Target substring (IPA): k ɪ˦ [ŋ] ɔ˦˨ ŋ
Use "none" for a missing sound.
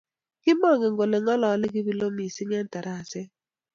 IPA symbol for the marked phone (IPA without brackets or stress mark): m